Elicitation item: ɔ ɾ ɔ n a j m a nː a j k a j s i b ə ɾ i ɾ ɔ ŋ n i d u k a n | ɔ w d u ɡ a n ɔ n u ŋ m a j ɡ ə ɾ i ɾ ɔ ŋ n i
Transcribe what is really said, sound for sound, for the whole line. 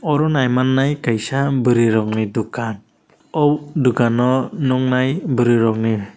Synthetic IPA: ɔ ɾ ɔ n a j m a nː a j k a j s a b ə ɾ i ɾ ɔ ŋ n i d u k a n | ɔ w d u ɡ a n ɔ n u ŋ n a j b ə ɾ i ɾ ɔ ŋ n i